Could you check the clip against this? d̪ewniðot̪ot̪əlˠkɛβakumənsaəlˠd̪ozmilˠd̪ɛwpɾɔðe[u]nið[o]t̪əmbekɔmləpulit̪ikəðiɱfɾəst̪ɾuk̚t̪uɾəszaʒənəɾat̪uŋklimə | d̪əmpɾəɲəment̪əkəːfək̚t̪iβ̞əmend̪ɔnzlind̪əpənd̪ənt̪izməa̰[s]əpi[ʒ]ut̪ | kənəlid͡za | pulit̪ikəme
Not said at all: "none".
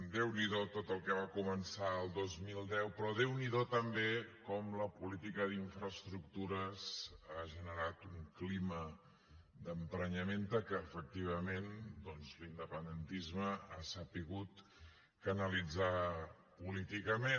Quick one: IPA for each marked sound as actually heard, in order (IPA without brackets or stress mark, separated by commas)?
w, o, s, ɣ